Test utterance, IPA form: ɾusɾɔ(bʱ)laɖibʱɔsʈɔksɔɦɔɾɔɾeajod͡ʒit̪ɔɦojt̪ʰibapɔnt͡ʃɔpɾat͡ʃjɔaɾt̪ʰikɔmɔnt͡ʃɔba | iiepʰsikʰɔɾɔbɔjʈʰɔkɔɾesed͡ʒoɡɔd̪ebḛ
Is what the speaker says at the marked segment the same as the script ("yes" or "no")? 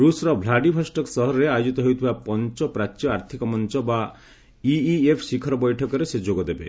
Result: yes